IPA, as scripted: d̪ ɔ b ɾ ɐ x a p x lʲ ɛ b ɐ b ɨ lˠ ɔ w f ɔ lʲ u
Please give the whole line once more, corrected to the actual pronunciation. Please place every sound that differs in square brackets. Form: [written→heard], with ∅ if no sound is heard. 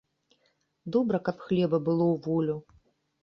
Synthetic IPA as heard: d̪ ɔ b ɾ ɐ [x→k] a p x lʲ ɛ b ɐ b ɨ lˠ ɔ w [f→v] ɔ lʲ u